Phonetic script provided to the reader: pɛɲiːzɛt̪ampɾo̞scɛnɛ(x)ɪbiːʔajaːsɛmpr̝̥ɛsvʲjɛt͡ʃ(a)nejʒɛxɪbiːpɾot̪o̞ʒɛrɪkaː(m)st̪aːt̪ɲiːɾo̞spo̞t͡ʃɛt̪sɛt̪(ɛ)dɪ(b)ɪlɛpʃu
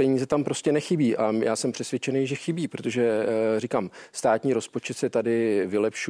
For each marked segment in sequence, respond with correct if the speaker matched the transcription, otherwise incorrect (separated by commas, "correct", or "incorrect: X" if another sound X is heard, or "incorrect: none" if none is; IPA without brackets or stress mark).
correct, incorrect: ɛ, correct, incorrect: a, incorrect: v